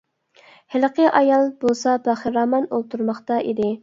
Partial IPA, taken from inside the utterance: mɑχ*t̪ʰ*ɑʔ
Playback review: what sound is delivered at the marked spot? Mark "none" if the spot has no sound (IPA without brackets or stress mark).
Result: t̪